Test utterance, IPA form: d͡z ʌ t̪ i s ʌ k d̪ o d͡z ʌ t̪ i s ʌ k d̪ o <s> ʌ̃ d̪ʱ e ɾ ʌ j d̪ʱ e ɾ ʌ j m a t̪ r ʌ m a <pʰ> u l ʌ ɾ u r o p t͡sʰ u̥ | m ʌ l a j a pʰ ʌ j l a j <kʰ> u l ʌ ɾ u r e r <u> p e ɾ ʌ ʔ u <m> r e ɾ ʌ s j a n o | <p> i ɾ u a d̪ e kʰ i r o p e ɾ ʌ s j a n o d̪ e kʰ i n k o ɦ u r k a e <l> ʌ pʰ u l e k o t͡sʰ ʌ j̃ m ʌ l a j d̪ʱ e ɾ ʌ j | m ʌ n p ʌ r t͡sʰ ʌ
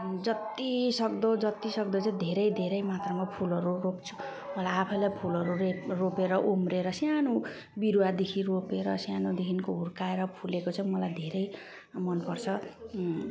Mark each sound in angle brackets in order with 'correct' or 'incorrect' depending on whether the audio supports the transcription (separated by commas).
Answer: incorrect, correct, incorrect, incorrect, correct, incorrect, incorrect